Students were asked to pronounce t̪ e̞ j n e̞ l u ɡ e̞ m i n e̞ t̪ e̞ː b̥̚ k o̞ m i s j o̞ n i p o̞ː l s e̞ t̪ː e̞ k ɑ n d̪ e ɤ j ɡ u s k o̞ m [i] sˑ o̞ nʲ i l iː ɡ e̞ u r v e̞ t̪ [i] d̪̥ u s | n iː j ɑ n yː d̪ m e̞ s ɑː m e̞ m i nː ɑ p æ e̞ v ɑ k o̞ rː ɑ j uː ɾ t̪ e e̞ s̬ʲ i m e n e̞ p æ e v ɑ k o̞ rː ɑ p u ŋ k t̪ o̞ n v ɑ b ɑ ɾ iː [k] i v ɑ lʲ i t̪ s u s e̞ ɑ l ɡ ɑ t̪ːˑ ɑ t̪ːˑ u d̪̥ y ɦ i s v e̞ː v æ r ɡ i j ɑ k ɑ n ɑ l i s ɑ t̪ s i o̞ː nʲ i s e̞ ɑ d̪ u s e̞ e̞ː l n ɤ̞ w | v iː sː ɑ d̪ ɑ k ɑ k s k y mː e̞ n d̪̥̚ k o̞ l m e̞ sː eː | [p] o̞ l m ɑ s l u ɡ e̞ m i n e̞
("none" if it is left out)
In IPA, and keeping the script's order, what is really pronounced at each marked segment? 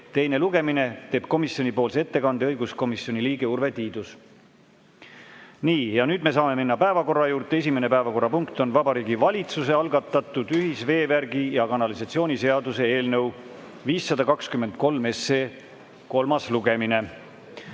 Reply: i, iː, ɡ, k

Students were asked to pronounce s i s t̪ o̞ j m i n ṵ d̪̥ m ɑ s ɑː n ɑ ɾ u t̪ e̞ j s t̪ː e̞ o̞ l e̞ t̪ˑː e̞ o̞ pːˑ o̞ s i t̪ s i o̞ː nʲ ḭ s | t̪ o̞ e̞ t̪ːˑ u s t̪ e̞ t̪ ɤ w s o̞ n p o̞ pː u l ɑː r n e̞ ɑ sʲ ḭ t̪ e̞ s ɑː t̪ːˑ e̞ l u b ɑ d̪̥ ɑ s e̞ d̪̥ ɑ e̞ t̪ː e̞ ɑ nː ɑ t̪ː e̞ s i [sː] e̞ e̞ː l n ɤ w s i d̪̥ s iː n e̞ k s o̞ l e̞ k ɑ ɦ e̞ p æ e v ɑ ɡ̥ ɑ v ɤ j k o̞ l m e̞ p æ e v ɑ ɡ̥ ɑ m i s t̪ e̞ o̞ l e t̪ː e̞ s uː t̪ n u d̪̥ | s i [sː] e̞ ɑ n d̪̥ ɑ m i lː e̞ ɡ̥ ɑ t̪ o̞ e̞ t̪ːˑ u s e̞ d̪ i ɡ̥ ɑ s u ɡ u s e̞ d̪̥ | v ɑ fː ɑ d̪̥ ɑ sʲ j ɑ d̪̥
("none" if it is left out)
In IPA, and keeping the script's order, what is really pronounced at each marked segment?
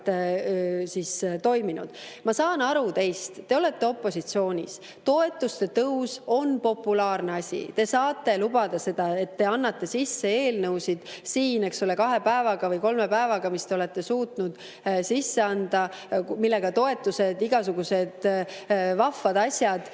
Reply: sː, sː

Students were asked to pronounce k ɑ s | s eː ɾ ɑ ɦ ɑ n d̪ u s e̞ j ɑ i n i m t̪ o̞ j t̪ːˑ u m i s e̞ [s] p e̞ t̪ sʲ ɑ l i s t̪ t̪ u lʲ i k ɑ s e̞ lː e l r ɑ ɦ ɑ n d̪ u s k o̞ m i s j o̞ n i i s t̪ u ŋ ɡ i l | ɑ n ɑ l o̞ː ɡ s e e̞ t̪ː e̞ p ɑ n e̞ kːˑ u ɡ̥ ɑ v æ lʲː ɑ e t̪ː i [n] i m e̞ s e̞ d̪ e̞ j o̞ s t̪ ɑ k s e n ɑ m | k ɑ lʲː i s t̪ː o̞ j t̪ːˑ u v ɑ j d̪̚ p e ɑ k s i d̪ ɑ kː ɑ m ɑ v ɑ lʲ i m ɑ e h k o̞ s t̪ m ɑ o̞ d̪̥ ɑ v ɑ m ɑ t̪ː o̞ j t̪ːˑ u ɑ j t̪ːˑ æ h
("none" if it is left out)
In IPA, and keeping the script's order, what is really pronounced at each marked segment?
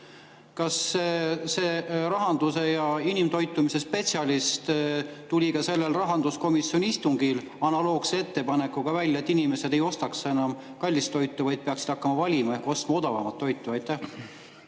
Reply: s, n

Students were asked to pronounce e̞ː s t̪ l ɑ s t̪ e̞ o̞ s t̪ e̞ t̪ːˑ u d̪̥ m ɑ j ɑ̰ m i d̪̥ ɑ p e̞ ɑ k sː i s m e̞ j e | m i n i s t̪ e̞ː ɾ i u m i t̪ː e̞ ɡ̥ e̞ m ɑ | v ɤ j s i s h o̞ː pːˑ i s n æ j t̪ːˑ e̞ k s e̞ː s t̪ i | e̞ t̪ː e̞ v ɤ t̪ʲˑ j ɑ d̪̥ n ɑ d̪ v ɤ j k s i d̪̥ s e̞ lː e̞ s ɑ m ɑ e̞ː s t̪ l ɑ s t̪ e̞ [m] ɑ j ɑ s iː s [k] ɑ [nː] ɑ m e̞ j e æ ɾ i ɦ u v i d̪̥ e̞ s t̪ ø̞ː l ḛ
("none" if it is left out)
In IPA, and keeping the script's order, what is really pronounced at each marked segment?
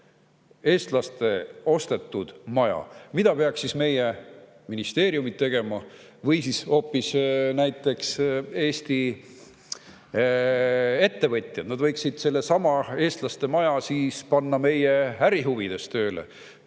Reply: m, p, nː

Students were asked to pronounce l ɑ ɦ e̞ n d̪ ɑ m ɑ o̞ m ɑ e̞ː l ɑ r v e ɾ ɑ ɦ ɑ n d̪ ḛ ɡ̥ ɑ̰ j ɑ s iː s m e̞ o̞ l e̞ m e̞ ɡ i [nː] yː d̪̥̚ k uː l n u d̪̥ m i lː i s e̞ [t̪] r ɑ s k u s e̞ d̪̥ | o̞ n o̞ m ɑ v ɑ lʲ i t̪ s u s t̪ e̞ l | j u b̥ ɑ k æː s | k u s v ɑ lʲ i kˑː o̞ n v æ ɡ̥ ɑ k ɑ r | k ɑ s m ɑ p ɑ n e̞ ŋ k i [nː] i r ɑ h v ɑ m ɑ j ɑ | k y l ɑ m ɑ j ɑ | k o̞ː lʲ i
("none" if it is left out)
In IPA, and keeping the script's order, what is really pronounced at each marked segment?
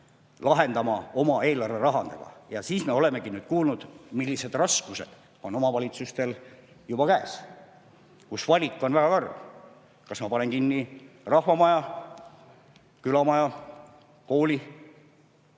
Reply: n, d̪, nː

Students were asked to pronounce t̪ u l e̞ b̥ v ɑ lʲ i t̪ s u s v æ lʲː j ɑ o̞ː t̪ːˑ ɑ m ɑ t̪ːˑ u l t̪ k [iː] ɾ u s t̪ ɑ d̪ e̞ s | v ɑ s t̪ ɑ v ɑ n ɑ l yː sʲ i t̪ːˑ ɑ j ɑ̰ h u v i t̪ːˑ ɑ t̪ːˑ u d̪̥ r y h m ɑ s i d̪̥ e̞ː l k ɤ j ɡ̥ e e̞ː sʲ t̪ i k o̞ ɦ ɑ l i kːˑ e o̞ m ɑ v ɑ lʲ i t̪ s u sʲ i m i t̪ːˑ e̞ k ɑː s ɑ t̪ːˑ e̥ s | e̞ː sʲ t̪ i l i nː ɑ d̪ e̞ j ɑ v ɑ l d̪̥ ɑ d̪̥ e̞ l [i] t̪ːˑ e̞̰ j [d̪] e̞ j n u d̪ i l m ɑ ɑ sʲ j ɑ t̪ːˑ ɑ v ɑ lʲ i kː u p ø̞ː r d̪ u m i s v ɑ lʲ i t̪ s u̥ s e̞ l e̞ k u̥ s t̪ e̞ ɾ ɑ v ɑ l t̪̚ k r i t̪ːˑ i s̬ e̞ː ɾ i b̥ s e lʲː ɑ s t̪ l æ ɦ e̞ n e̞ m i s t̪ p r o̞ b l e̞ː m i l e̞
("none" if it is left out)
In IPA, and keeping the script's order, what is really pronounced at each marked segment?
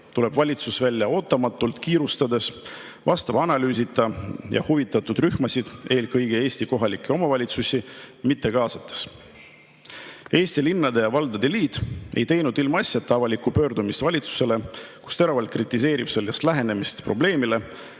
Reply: iː, iː, t̪

